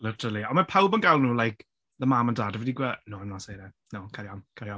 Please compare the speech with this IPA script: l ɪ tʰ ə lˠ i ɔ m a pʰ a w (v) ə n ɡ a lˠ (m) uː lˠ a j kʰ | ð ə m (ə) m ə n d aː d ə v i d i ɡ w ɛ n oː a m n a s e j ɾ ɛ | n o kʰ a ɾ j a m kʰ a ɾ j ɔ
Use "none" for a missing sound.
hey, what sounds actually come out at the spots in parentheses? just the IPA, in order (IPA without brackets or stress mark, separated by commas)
b, n, a